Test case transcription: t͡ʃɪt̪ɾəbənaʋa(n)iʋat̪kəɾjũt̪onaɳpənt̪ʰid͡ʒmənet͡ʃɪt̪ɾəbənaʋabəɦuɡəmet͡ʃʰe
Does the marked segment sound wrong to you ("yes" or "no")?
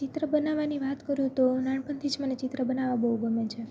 no